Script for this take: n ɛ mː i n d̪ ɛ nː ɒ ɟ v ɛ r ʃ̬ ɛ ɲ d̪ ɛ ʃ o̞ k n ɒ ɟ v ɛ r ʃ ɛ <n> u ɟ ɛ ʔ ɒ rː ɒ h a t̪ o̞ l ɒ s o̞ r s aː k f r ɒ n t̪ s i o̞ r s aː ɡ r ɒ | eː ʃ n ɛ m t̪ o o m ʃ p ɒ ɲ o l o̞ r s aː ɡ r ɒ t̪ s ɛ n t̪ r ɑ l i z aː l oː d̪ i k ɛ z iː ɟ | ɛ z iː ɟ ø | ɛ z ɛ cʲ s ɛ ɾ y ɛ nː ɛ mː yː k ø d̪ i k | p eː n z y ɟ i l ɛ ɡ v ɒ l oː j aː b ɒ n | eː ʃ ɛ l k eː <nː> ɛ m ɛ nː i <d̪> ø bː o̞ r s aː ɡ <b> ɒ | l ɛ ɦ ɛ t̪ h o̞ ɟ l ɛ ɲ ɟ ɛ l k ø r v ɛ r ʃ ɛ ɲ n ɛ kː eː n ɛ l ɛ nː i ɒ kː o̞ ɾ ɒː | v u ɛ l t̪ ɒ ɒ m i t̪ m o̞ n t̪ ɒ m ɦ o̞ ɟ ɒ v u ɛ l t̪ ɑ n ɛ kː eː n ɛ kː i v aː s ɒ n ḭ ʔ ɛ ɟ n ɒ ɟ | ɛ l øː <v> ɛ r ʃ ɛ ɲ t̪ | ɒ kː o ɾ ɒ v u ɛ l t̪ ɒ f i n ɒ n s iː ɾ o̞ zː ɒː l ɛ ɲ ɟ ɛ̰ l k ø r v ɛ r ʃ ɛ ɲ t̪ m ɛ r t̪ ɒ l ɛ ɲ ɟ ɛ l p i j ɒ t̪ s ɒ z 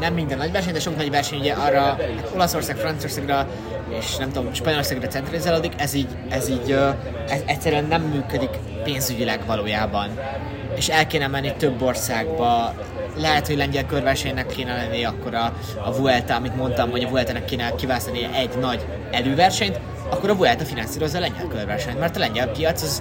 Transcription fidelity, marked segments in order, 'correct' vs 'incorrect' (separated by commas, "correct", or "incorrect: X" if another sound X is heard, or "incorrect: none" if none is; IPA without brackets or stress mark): incorrect: ɲ, incorrect: n, incorrect: t̪, correct, correct